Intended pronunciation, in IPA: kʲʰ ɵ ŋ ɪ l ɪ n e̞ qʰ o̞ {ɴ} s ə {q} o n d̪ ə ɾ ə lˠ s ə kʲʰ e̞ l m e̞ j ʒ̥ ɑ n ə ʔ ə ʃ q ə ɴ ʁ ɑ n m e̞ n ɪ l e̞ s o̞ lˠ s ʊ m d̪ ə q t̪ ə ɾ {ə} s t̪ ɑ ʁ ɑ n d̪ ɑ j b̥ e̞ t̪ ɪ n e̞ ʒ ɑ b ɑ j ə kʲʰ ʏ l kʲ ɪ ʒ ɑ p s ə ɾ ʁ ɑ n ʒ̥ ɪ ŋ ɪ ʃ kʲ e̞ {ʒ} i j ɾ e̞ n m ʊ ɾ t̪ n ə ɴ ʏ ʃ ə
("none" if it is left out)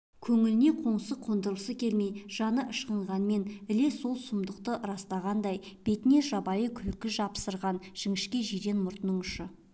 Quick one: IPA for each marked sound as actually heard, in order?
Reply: ɴ, qʰ, ɑ, ʒ

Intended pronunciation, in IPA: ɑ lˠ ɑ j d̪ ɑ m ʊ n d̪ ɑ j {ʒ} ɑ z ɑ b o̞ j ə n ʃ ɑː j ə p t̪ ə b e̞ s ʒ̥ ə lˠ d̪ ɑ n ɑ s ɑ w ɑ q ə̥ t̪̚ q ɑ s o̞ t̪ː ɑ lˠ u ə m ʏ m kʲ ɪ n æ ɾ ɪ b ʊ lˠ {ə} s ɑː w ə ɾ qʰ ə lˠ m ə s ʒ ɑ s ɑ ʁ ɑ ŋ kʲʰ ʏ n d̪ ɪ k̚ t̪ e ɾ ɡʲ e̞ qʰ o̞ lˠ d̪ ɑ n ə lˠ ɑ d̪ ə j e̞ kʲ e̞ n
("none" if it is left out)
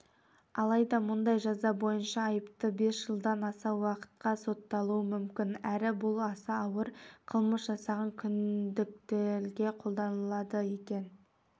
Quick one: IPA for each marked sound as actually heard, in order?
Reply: ʒ, ɑ

